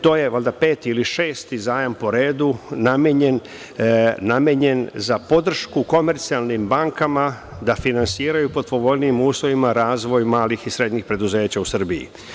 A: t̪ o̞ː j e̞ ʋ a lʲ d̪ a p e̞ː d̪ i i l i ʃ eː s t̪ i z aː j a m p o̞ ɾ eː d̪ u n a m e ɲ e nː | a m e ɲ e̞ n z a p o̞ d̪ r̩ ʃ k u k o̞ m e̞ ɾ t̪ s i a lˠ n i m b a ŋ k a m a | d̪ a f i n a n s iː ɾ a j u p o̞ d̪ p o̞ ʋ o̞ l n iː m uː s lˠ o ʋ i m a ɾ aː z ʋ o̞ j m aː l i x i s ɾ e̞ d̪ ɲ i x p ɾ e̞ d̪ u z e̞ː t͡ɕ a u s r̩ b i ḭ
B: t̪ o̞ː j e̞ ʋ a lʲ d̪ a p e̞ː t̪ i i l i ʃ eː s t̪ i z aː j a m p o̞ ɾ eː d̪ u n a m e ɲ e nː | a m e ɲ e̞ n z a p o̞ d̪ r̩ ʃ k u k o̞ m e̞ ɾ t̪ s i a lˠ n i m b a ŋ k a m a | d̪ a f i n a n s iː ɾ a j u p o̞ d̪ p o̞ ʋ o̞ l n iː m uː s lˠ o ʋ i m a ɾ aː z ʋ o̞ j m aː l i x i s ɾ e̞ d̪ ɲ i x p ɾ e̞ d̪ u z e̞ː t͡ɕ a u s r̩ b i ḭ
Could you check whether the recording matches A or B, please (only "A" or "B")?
B